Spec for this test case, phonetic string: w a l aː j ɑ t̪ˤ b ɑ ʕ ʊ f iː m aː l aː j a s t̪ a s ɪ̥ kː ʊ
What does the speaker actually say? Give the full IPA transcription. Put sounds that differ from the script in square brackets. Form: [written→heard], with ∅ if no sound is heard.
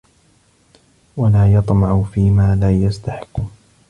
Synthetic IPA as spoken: w a l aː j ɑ t̪ˤ [b→m] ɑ ʕ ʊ f iː m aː l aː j a s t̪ a [s→ħ] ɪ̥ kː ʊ